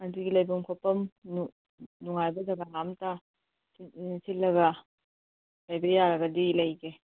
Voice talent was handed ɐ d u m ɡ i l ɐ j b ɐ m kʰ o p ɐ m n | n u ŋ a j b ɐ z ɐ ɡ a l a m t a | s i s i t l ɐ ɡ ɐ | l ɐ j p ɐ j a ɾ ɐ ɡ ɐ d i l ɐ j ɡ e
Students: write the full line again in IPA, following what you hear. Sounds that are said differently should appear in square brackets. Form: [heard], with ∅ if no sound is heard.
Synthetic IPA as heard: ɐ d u [∅] ɡ i l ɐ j b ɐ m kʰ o p ɐ m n | n u ŋ a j b ɐ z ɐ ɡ a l a m t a | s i s i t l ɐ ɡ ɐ | l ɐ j [b] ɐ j a ɾ ɐ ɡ ɐ d i l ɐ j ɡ e